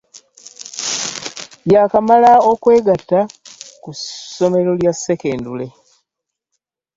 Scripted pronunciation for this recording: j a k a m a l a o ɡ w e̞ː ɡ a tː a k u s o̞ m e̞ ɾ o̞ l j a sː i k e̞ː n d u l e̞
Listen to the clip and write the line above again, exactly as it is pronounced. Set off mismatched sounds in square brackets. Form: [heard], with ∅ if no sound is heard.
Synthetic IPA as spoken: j a k a m a l a o [k] w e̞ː ɡ a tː a k u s o̞ m e̞ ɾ o̞ l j a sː [e] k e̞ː n d u l e̞